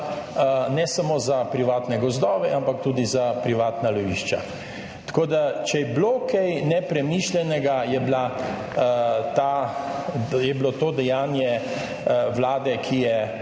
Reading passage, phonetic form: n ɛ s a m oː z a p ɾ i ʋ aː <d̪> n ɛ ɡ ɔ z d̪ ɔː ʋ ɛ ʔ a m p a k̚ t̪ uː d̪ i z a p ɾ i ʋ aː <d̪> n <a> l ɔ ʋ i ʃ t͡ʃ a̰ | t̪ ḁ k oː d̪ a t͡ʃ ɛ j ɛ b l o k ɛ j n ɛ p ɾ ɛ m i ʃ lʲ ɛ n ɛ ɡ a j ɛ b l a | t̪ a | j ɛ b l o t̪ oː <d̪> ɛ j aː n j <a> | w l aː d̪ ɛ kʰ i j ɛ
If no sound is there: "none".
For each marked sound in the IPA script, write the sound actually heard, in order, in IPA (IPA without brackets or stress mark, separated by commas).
t̪, t̪, a, d̪, ɛ